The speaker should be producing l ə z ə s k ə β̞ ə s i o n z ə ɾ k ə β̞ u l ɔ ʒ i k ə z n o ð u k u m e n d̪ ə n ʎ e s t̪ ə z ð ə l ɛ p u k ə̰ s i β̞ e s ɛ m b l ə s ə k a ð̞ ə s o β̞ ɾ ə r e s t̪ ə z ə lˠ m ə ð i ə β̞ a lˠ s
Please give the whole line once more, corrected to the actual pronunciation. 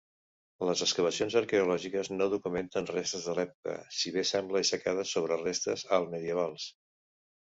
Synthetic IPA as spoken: l ə z ə s k ə β̞ ə s i o n z ə ɾ k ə u l ɔ ʒ i k ə z n o ð u k u m e n t̪ ə n r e s t̪ ə z ð ə l ɛ p u k ə̰ s i β̞ e s ɛ m b l ə s ə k a ð̞ ə s o β̞ ɾ ə r e s t̪ ə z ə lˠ m ə ð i ə β̞ a lˠ s

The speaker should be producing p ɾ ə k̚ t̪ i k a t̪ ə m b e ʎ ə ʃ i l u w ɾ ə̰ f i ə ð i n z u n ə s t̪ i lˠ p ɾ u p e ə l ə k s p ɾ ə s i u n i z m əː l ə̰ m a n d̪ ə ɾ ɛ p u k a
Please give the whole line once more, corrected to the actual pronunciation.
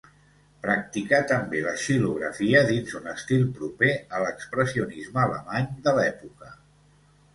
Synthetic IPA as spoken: p ɾ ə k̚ t̪ i k a t̪ ə m b e l ə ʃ i l u ɣ ɾ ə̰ f i ə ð i n z u n ə s t̪ i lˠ p ɾ u p e ə l ə k s p ɾ ə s i u n i z m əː l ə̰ m a ɲ d̪ ə l ɛ p u k ə

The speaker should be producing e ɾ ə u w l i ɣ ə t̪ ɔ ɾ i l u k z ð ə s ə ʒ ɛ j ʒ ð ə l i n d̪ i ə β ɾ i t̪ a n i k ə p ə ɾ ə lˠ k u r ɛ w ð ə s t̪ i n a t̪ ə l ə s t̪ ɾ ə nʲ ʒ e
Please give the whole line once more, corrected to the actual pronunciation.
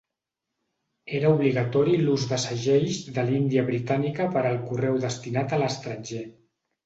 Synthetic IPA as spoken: e ɾ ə u β l i ɣ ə t̪ ɔ ɾ i l u z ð ə s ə ʒ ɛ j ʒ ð ə l i n d̪ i ə β ɾ i t̪ a n i k ə p ə ɾ ə lˠ k u r ɛ w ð ə s t̪ i n a t̪ ə l ə s t̪ ɾ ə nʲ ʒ e

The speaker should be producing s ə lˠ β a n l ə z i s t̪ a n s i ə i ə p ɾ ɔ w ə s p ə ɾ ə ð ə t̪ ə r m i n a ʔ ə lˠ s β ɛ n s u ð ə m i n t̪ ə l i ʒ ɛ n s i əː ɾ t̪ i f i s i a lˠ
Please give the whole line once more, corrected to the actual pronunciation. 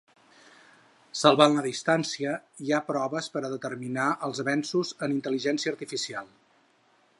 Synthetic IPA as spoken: s ə lˠ β a n l ə ð i s t̪ a n s i ə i a p ɾ ɔ β ə s p ə ɾ ə ð ə t̪ ə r m i n a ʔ ə lˠ z β ɛ n s u z ə n i n t̪ ə l i ʒ ɛ n s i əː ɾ t̪ i f i s i a lˠ

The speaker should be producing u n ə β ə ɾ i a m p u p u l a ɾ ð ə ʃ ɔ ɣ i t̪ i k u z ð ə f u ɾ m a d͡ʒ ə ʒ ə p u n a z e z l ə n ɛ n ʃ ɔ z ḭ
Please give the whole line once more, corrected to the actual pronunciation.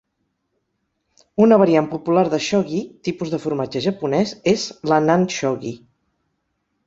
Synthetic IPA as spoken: u n ə β ə ɾ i a m p u p u l a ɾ ð ə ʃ ɔ ɣ i t̪ i p u z ð ə f u ɾ m a d͡ʒ ə ʒ ə p u n ɛ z e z l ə n a n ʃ ɔ ɣ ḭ

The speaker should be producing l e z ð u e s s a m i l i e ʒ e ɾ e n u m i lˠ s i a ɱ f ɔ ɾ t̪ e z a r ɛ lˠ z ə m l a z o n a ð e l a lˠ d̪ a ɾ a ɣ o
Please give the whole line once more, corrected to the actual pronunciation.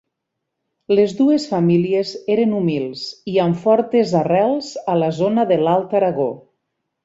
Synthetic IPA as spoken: l e z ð u e s f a m i l i e z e ɾ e n u m i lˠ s i a ɱ f ɔ ɾ t̪ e z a r ɛ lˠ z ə l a z o n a ð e l a lˠ t̪ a ɾ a ɣ o

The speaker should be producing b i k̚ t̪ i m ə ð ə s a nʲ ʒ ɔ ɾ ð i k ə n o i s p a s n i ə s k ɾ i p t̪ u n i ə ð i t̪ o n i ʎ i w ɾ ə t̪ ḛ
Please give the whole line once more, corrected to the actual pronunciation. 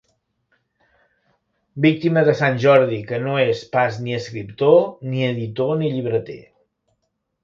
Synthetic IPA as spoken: b i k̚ t̪ i m ə ð ə s a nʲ ʒ ɔ ɾ ð i k ə n o e s p a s n i ə s k ɾ i p t̪ o n i ə ð i t̪ o n i ʎ i β ɾ ə t̪ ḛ

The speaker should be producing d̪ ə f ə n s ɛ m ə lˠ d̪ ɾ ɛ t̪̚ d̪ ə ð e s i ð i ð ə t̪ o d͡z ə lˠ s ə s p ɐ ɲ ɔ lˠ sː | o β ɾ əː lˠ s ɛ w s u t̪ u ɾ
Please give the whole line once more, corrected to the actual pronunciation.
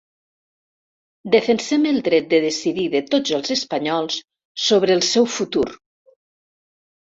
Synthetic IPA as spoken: d̪ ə f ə n s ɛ m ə lˠ d̪ ɾ ɛ t̪̚ d̪ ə ð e s i ð i ð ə t̪ o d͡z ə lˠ z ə s p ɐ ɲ ɔ lˠ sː | o β ɾ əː lˠ s ɛ w f u t̪ u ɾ

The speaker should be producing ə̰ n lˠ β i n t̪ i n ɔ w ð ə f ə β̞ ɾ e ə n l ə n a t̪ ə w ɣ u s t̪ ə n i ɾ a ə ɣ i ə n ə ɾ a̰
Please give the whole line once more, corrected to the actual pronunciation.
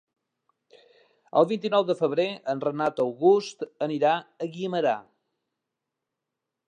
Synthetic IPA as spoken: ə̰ lˠ β i n t̪ i n ɔ w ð ə f ə β̞ ɾ e ə n r ə n a t̪ ə w ɣ u s t̪ ə n i ɾ a ə ɣ i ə m ə ɾ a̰

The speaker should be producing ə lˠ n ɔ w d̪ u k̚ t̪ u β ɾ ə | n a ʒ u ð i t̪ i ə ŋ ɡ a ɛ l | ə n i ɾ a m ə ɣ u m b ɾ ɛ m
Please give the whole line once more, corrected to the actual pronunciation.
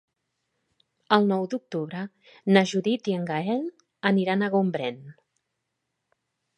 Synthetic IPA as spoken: ə lˠ n ɔ w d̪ u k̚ t̪ u β ɾ ə | n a ʒ u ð i t̪ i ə ŋ ɡ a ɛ l | ə n i ɾ a n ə ɣ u m b ɾ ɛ n

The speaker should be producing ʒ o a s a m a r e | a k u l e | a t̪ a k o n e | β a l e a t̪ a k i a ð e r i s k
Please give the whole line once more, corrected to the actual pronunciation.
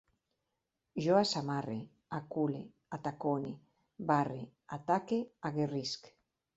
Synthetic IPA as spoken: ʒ o a s a m a r e | a k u l e | a t̪ a k o n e | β a r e a t̪ a k e a ɣ e r i s k

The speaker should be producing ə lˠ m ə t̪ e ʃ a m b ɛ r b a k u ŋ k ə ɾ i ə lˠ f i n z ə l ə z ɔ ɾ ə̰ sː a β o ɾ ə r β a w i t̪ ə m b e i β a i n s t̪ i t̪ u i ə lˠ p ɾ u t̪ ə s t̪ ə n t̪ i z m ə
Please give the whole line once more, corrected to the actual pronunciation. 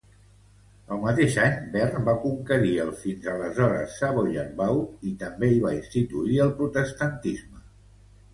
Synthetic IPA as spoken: ə lˠ m ə t̪ e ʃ a ɲ b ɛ r b a k u ŋ k ə ɾ i ə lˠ f i n z ə l ə z ɔ ɾ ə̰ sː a β o ʎ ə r β a w i t̪ ə m b e i β a i n s t̪ i t̪ u i ə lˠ p ɾ u t̪ ə s t̪ ə n t̪ i z m ə

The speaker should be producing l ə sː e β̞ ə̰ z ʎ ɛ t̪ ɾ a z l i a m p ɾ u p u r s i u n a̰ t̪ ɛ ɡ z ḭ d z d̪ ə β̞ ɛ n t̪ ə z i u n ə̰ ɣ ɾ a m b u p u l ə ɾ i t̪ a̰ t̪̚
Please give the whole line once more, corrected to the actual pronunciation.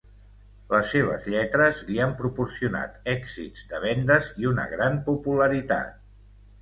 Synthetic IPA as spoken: l ə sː e β̞ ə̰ z ʎ ɛ t̪ ɾ ə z l i a m p ɾ u p u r s i u n a̰ t̪ ɛ ɡ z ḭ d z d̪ ə β̞ ɛ n d̪ ə z i u n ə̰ ɣ ɾ a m p u p u l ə ɾ i t̪ a̰ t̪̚

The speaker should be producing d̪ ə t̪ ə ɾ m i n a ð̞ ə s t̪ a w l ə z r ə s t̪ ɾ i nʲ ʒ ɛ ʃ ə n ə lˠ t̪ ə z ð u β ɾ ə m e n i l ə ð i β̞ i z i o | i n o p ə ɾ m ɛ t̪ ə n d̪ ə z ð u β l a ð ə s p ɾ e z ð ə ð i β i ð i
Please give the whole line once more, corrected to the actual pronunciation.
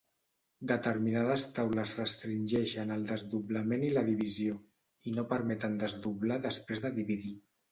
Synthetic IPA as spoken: d̪ ə t̪ ə ɾ m i n a ð̞ ə s t̪ a w l ə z r ə s t̪ ɾ i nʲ ʒ ɛ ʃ ə n ə lˠ d̪ ə z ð u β l ə m e n i l ə ð i β̞ i z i o | i n o p ə ɾ m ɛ t̪ ə n d̪ ə z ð u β l a ð ə s p ɾ e z ð ə ð i β i ð i

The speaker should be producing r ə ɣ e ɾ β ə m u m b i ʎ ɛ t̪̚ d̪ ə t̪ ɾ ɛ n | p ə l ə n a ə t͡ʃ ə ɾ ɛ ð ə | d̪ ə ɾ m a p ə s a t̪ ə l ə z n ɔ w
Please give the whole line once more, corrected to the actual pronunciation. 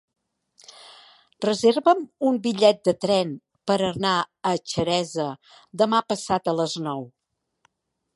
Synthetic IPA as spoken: r ə z e ɾ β ə m u m b i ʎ ɛ t̪̚ d̪ ə t̪ ɾ ɛ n | p ə ɾ ə n a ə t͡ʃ ə ɾ ɛ z ə | d̪ ə m a p ə s a t̪ ə l ə z n ɔ w

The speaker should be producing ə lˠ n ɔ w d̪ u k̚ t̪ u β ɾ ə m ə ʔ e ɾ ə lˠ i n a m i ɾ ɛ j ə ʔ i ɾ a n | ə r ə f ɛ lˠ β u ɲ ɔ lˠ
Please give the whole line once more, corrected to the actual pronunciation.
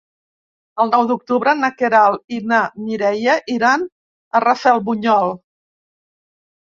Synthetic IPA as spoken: ə lˠ n ɔ w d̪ u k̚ t̪ u β ɾ ə n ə k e ɾ a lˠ i n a m i ɾ ɛ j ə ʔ i ɾ a n | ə r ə f ɛ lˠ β u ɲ ɔ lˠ

